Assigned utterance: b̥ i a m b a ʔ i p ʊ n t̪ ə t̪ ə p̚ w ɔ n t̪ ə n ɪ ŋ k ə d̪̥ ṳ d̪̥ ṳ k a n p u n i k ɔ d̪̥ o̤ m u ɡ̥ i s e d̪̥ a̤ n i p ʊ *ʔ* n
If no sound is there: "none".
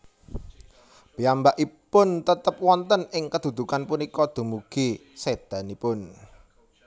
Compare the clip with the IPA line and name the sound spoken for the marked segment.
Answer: none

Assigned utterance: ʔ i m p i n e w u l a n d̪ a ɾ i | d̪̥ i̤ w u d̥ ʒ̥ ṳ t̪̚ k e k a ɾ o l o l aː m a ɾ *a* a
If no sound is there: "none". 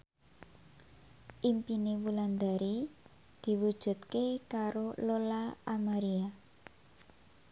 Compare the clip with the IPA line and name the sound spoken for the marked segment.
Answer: i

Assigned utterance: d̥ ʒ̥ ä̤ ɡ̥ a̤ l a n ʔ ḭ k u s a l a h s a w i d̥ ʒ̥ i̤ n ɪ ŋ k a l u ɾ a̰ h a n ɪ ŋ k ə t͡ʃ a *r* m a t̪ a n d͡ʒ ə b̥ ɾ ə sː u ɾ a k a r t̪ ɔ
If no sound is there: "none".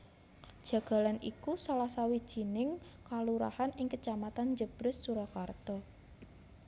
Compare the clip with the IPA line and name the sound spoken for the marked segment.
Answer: none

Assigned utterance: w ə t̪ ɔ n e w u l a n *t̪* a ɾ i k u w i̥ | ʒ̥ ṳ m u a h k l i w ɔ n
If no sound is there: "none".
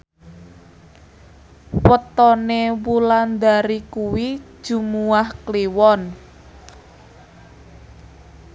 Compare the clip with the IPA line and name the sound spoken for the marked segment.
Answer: d̪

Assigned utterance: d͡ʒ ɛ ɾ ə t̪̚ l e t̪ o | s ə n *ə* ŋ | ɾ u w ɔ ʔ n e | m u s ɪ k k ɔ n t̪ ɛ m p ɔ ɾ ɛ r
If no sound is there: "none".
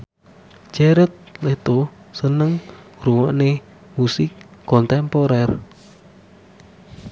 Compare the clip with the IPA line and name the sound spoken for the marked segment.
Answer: ə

